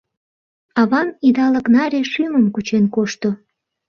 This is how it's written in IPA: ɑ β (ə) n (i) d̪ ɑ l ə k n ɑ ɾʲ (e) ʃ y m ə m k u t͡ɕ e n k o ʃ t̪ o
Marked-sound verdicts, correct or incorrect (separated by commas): incorrect, correct, correct